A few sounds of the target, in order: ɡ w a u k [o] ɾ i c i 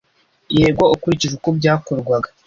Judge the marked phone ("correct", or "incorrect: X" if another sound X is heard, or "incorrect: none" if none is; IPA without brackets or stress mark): incorrect: u